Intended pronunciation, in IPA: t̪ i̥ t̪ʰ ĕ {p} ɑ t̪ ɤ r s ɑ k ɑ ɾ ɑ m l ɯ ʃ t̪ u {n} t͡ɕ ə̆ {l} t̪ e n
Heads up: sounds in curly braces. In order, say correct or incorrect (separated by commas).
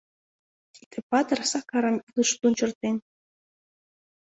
correct, correct, incorrect